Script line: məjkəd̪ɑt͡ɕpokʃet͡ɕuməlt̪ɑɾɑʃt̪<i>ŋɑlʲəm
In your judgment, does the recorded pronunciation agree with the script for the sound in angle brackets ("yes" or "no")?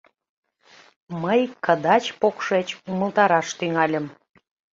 no